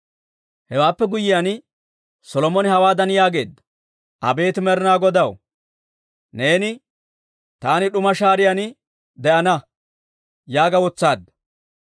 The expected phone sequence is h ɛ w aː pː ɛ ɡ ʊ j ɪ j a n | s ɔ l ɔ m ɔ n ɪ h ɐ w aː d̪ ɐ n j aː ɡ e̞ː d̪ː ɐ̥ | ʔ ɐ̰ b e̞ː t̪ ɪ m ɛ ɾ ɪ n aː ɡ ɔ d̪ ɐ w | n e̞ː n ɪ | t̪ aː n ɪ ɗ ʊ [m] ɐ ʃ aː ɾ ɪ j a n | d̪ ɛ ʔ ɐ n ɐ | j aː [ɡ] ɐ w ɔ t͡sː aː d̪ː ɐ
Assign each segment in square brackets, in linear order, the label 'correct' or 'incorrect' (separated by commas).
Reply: correct, correct